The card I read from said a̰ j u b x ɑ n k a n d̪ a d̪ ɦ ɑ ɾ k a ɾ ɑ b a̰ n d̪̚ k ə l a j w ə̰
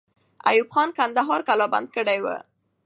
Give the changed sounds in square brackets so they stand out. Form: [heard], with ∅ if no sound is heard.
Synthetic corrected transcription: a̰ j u b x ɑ n k a n d̪ a [∅] ɦ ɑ ɾ k a [l] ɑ b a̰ n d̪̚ k ə [ɽ] a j w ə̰